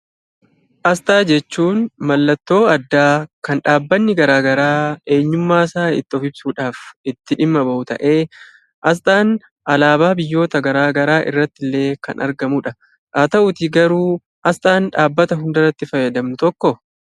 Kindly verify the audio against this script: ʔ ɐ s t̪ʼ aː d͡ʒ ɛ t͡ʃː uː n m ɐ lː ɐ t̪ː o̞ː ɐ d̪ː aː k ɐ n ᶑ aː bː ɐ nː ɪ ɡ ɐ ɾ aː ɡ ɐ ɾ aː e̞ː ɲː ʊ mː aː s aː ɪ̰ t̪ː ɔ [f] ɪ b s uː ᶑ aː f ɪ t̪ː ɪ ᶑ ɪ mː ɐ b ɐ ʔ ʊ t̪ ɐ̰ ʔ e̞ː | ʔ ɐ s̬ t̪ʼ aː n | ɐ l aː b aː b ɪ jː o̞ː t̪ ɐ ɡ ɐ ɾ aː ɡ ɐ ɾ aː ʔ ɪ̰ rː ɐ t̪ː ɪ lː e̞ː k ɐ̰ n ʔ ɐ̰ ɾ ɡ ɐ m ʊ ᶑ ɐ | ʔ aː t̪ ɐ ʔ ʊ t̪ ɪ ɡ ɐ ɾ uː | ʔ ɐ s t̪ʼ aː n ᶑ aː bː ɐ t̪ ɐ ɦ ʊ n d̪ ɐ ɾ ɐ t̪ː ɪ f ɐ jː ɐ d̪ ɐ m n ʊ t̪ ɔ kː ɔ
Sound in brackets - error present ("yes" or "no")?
no